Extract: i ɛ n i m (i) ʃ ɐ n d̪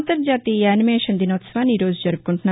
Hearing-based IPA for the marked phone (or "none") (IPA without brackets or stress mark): e